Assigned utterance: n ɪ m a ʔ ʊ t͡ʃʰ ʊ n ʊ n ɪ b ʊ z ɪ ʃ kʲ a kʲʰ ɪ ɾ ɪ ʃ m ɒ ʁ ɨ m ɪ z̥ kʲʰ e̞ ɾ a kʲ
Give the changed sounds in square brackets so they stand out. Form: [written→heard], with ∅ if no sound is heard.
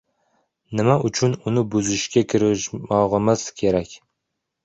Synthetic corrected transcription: n ɪ m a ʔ ʊ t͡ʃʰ ʊ n ʊ n ɪ b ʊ z ɪ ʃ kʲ a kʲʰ ɪ ɾ ɪ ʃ m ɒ ʁ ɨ m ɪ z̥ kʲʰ e̞ ɾ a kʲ